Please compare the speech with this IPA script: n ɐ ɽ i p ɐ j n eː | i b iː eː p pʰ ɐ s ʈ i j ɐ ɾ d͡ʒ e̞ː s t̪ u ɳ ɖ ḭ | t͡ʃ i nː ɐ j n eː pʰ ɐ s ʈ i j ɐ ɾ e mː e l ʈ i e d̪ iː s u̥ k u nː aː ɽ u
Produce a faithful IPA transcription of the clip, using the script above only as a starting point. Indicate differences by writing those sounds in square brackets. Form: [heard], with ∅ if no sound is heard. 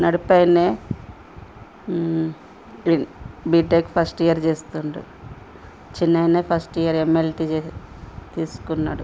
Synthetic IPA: n ɐ ɽ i p ɐ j n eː | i b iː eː [k] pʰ ɐ s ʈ i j ɐ ɾ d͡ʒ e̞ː s t̪ u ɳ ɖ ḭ | t͡ʃ i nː ɐ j n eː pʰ ɐ s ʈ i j ɐ ɾ e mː e l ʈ i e [t̪] iː s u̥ k u nː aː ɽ u